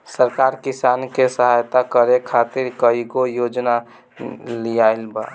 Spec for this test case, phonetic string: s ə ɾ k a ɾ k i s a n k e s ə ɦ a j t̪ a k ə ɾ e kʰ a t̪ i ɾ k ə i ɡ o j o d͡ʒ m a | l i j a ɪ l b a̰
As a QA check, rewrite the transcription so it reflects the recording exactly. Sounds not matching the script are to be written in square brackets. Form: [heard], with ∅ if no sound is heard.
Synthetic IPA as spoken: s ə ɾ k a ɾ k i s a n k e s ə ɦ a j t̪ a k ə ɾ e kʰ a t̪ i ɾ k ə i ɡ o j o d͡ʒ [n] a | l i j a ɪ l b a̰